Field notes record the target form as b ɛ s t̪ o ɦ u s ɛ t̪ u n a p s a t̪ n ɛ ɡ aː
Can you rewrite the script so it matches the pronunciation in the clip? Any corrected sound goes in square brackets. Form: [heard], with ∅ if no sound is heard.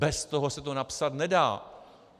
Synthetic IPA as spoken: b ɛ s t̪ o ɦ [o] s ɛ t̪ [o] n a p s a t̪ n ɛ [d] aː